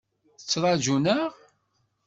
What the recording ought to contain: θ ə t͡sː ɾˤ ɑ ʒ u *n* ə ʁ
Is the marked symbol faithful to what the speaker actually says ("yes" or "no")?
yes